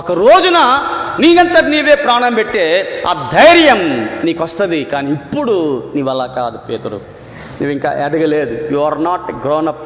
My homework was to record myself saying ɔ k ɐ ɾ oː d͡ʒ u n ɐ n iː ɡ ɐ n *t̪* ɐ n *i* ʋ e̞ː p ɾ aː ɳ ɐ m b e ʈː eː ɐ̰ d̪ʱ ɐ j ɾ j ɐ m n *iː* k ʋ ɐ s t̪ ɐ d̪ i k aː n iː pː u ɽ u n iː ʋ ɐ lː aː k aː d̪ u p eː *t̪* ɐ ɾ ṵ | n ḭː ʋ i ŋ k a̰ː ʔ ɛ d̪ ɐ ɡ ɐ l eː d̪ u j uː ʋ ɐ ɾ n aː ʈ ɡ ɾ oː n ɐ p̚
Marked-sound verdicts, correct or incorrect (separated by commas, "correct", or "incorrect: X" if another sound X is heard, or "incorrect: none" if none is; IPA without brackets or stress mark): correct, incorrect: iː, correct, correct